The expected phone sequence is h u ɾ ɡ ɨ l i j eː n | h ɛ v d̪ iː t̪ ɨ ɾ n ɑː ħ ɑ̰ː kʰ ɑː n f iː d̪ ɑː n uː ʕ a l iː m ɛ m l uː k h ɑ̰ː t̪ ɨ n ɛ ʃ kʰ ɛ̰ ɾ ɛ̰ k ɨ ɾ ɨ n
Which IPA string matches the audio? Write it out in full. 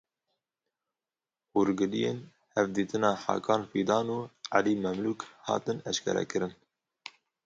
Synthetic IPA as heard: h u ɾ ɡ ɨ l i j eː n | h ɛ v d̪ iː t̪ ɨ n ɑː ħ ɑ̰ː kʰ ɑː n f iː d̪ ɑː n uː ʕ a l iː m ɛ m l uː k h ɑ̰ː t̪ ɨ n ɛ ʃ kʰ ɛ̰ ɾ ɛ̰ k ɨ ɾ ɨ n